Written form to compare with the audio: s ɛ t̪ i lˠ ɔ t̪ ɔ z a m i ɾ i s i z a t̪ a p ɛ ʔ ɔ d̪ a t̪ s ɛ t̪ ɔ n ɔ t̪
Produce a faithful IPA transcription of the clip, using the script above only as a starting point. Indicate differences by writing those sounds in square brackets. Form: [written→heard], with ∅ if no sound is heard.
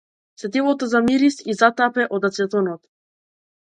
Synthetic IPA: s ɛ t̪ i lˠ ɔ t̪ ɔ z a m i ɾ i s i z a t̪ a p ɛ ʔ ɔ d̪ a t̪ s ɛ t̪ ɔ n ɔ t̪

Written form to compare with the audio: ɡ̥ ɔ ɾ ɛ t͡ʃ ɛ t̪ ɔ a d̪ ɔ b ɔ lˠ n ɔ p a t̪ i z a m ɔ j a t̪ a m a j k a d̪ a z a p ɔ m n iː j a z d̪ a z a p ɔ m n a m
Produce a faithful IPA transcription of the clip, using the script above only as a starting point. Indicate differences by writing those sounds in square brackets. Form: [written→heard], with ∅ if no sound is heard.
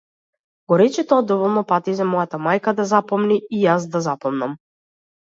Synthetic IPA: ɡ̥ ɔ ɾ ɛ t͡ʃ ɛ t̪ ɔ a d̪ ɔ [b→v] ɔ lˠ n ɔ p a t̪ i z a m ɔ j a t̪ a m a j k a d̪ a z a p ɔ m n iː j a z d̪ a z a p ɔ m n a m

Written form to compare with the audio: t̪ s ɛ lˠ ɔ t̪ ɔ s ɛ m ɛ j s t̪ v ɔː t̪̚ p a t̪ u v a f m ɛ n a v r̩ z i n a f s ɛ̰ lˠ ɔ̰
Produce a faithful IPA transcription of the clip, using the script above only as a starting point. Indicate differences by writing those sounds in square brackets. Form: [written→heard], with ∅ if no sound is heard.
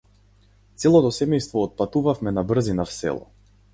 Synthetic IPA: t̪ s ɛ lˠ ɔ t̪ ɔ s ɛ m ɛ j s t̪ v ɔː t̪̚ p a t̪ u v a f m ɛ n a [v→b] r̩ z i n a f s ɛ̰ lˠ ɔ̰

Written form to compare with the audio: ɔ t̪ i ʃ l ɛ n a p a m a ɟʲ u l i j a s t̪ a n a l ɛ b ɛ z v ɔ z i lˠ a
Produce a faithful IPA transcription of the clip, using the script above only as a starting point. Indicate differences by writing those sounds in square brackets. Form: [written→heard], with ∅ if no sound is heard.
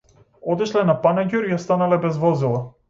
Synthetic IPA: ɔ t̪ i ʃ l ɛ n a p a [m→n] a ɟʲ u [l→ɾ] i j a s t̪ a n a l ɛ b ɛ z v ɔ z i lˠ a

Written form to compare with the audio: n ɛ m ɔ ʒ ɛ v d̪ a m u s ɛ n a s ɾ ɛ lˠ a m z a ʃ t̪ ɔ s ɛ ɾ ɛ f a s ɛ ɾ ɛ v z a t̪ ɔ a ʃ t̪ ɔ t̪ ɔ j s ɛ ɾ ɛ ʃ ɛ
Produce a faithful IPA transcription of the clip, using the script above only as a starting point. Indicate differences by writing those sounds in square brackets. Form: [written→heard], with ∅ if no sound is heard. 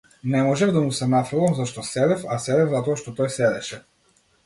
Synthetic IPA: n ɛ m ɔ ʒ ɛ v d̪ a m u s ɛ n a [s→f] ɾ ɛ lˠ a m z a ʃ t̪ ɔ s ɛ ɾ ɛ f a s ɛ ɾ ɛ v z a t̪ ɔ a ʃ t̪ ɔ t̪ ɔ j s ɛ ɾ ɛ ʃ ɛ

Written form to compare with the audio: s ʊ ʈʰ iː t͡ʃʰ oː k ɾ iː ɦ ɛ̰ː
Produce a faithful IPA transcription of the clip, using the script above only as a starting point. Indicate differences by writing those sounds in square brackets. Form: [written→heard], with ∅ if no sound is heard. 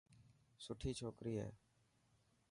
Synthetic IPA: s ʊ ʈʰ iː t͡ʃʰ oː k ɾ iː ɦ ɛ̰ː

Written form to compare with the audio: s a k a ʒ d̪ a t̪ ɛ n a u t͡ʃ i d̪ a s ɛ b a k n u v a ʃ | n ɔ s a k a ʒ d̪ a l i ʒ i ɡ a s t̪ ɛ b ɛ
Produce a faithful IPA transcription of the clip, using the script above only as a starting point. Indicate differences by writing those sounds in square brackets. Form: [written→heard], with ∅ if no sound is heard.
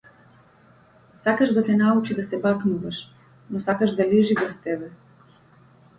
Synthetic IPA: s a k a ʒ d̪ a t̪ ɛ n a u t͡ʃ i d̪ a s ɛ b a k n u v a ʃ | n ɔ s a k a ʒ d̪ a l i ʒ i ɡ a s t̪ ɛ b ɛ

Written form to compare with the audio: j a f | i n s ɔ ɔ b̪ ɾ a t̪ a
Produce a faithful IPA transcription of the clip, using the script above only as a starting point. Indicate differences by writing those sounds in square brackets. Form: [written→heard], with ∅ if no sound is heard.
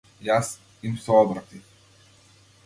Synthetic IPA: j a [f→s] | i [n→m] s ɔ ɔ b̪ ɾ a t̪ [a→i]

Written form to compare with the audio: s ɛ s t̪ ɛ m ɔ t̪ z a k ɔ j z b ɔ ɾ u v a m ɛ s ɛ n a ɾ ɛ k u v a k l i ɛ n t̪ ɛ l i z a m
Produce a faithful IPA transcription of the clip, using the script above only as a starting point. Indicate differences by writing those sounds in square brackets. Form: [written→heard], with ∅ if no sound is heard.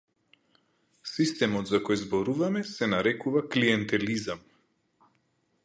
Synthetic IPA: s [ɛ→i] s t̪ ɛ m ɔ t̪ z a k ɔ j z b ɔ ɾ u v a m ɛ s ɛ n a ɾ ɛ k u v a k l i ɛ n t̪ ɛ l i z a m

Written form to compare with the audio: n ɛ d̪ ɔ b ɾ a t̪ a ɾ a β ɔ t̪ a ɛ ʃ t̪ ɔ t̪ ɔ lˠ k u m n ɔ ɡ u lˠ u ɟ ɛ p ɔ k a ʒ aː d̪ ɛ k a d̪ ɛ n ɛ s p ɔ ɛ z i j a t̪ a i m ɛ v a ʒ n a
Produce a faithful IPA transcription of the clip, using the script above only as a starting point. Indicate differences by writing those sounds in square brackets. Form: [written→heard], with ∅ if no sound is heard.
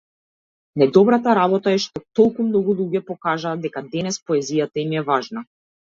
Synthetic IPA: n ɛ d̪ ɔ b ɾ a t̪ a ɾ a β ɔ t̪ a ɛ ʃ t̪ ɔ t̪ ɔ lˠ k u m n ɔ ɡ u lˠ u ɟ ɛ p ɔ k a ʒ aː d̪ ɛ k a d̪ ɛ n ɛ s p ɔ ɛ z i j a t̪ a i m ɛ v a ʒ n a

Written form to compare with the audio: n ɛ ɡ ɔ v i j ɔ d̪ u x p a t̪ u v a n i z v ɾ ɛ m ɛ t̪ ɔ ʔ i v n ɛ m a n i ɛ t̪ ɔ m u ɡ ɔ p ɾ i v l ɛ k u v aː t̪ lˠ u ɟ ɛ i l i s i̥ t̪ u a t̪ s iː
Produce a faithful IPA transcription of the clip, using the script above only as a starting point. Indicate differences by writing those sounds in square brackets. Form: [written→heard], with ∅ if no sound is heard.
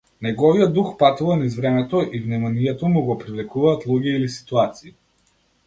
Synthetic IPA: n ɛ ɡ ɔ v i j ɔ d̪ u x p a t̪ u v a n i z v ɾ ɛ m ɛ t̪ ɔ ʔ i v n ɛ m a n i ɛ t̪ ɔ m u ɡ ɔ p ɾ i v l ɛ k u v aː t̪ lˠ u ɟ ɛ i l i s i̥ t̪ u a t̪ s iː

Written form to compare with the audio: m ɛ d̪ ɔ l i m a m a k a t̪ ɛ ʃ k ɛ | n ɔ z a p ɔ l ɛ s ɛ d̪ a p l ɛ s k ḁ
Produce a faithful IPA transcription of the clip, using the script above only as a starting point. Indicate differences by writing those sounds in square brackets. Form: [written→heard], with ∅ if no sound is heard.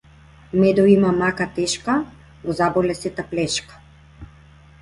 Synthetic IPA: m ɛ d̪ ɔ [l→∅] i m a m a k a t̪ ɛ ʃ k [ɛ→a] | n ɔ z a [p→b] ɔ l ɛ s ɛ [d̪→t̪] a p l ɛ [s→ʃ] k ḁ

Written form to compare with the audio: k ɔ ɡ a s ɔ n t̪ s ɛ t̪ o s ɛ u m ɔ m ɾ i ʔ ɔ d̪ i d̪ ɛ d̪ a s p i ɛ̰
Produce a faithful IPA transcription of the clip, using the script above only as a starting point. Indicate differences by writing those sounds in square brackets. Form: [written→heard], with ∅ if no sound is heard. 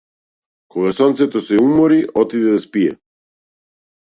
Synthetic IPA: k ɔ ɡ a s ɔ n t̪ s ɛ t̪ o s ɛ u m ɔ [m→∅] ɾ i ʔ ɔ [d̪→t̪] i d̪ ɛ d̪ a s p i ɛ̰

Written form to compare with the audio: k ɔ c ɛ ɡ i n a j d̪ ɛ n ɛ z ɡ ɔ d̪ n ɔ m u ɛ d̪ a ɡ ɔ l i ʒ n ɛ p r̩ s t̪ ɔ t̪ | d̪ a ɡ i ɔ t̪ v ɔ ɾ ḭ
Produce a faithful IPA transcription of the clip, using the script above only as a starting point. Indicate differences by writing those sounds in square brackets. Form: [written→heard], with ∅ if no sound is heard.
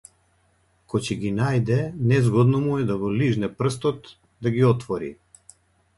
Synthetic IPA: k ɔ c ɛ ɡ i n a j d̪ ɛ n ɛ z ɡ ɔ d̪ n ɔ m u ɛ d̪ a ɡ ɔ l i ʒ n ɛ p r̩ s t̪ ɔ t̪ | d̪ a ɡ i ɔ t̪ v ɔ ɾ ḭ

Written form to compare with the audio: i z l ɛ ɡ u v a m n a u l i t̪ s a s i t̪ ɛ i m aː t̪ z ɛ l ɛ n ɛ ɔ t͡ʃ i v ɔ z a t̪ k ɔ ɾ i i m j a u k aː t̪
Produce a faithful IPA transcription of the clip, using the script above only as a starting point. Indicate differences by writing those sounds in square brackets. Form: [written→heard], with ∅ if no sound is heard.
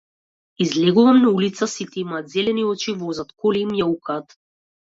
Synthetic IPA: i z l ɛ ɡ u v a m n a u l i t̪ s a s i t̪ ɛ i m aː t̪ z ɛ l ɛ n [ɛ→i] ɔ t͡ʃ i v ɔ z a t̪ k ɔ [ɾ→l] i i m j a u k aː t̪

